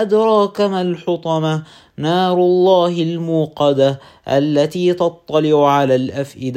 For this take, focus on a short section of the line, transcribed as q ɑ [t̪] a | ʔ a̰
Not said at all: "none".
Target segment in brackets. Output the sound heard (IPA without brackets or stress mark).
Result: d̪